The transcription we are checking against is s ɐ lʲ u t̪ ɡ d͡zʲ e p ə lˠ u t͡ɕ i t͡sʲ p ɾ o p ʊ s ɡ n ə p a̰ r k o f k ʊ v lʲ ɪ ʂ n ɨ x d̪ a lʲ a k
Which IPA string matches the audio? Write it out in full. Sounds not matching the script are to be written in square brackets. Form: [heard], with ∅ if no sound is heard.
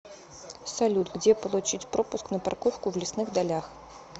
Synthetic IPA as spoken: s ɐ lʲ u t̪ ɡ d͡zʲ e p ə lˠ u t͡ɕ i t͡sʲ p ɾ o p ʊ s [k] n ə p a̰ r k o f k ʊ v lʲ ɪ [s] n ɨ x d̪ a lʲ a [x]